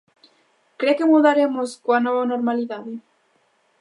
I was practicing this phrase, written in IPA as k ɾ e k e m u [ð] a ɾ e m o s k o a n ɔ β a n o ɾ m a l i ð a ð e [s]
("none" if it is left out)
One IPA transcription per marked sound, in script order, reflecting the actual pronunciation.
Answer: ð, none

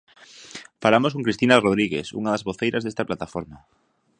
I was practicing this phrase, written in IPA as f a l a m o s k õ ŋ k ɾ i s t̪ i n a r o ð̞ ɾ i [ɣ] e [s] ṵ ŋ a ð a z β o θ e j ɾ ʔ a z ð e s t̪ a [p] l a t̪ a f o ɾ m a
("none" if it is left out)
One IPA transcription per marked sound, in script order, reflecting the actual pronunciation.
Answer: ɣ, s, p

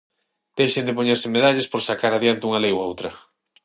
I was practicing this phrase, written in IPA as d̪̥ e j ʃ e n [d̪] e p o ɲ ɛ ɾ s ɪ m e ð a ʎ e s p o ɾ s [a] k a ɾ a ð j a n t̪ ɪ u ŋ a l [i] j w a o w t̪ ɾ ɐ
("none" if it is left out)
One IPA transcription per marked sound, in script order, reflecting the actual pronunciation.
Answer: d̪, a, e

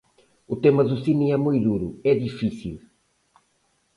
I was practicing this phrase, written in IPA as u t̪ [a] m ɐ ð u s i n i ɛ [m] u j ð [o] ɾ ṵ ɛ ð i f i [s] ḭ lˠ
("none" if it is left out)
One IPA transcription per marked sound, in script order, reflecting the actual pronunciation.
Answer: e, m, u, s

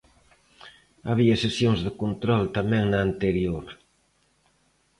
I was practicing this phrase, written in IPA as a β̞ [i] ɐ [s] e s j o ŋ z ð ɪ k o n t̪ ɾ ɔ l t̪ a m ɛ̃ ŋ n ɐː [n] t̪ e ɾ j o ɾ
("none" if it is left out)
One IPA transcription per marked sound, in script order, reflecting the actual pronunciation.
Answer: i, s, n

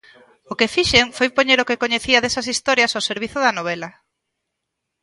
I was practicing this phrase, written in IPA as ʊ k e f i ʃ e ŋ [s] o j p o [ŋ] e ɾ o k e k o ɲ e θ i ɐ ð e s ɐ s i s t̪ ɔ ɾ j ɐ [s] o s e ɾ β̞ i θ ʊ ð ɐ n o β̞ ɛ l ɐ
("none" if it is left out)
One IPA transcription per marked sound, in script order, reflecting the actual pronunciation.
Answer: f, ɲ, s

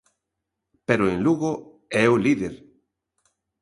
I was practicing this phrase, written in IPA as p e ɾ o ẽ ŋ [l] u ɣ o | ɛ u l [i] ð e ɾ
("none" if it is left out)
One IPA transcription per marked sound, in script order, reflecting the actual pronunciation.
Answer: l, i

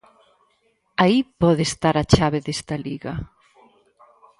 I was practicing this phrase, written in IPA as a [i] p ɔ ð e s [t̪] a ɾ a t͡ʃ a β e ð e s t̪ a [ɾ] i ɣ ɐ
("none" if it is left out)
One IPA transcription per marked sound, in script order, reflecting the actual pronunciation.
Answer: i, t̪, l

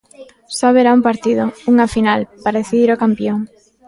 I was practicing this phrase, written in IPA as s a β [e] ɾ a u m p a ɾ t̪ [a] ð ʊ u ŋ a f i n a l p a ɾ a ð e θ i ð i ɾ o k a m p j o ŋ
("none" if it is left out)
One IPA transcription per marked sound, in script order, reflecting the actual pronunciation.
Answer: e, i

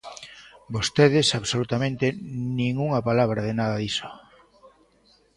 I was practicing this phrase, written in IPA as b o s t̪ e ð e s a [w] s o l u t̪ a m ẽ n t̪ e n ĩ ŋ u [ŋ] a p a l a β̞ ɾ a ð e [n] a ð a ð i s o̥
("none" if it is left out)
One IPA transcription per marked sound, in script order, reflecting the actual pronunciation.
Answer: β, ŋ, n

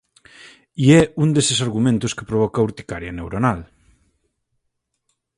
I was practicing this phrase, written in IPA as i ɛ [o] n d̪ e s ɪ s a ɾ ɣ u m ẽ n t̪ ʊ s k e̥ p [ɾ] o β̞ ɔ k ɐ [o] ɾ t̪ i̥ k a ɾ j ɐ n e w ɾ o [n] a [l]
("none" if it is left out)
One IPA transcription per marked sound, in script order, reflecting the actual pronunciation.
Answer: u, ɾ, u, n, l

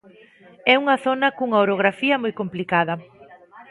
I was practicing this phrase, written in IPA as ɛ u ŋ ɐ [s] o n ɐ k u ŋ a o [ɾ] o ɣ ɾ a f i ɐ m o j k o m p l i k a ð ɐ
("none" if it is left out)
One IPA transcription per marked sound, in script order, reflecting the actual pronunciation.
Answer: θ, ɾ

